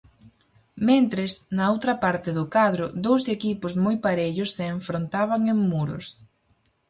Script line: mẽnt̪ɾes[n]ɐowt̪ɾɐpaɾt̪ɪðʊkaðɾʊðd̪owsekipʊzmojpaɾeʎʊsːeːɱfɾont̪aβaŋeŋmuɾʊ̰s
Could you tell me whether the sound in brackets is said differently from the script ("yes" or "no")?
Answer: no